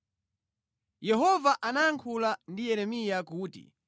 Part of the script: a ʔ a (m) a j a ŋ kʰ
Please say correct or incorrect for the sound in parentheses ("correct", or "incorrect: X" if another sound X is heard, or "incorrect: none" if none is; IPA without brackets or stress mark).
incorrect: n